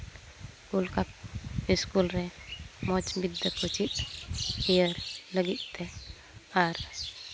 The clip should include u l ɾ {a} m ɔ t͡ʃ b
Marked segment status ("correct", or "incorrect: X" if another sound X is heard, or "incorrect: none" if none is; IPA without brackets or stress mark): incorrect: ɛ